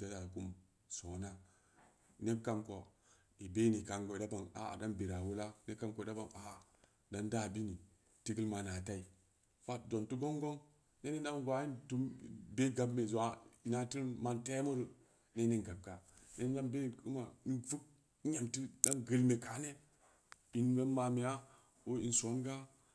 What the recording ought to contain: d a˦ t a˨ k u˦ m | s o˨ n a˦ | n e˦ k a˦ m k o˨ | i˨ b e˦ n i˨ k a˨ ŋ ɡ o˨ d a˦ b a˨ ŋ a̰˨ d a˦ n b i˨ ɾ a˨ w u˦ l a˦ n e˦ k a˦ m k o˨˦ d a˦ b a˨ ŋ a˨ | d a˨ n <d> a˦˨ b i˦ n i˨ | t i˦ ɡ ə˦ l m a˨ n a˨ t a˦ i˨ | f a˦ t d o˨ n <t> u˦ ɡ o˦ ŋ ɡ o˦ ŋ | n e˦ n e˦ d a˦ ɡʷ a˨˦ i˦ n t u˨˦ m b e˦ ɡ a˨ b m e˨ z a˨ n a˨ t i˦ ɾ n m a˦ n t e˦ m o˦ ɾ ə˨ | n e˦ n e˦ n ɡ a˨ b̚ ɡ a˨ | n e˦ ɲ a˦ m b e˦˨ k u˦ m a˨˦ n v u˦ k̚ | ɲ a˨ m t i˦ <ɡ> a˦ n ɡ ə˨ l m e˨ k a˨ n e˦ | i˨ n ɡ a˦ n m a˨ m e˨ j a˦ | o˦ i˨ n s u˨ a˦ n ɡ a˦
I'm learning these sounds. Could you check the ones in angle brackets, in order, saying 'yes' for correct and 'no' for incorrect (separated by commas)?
yes, yes, no